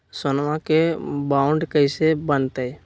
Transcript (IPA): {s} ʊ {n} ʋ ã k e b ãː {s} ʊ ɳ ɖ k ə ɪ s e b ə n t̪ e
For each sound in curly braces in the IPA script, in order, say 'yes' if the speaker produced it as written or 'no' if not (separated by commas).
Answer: yes, yes, no